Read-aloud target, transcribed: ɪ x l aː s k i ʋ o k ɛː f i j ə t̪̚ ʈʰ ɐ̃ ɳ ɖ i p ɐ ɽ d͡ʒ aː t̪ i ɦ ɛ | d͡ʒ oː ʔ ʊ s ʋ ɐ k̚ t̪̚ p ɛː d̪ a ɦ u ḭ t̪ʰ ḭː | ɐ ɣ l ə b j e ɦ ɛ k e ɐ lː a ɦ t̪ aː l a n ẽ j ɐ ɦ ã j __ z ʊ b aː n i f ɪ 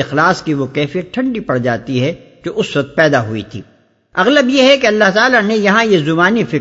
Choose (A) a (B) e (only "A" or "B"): B